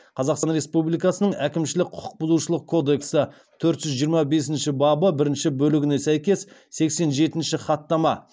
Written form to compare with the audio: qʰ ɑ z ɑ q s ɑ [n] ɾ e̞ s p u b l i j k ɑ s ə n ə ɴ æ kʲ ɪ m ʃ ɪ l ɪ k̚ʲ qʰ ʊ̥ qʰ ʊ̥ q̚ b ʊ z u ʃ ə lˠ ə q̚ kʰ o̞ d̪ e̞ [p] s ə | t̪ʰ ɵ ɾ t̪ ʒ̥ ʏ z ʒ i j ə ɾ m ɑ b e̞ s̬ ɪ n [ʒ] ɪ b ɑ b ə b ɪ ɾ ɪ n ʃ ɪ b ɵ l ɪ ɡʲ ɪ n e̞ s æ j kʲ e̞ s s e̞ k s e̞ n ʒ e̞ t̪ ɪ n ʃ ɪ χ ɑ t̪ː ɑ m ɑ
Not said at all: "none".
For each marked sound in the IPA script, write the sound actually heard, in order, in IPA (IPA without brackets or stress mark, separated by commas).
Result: n, k, ʃ